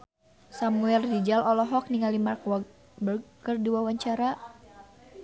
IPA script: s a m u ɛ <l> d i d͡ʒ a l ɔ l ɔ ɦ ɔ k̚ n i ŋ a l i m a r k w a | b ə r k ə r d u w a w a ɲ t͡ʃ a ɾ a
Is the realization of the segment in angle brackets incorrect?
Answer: no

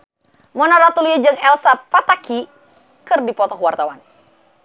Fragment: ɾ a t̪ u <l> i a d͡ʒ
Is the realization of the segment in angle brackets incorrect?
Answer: no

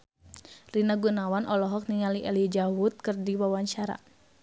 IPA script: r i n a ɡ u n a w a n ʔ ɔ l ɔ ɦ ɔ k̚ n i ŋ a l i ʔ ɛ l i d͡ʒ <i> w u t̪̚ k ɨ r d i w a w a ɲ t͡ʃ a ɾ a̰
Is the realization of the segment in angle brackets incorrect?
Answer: yes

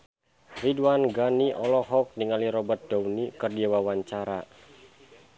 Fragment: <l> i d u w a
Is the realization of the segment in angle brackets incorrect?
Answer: yes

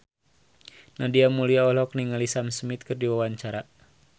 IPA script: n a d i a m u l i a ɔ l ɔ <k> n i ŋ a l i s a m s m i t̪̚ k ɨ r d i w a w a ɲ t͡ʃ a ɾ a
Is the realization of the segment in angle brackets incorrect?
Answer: no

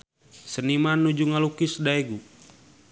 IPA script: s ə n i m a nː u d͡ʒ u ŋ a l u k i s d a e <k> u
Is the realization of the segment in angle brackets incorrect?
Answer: yes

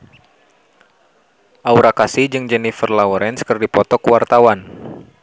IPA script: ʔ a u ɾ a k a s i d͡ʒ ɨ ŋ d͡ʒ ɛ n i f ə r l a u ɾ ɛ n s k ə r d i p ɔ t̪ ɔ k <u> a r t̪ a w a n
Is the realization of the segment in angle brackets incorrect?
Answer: yes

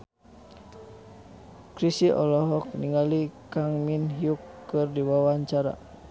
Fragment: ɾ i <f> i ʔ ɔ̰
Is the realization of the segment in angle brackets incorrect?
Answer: yes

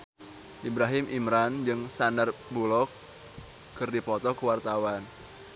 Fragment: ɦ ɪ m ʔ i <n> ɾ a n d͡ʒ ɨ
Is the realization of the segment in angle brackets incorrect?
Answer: yes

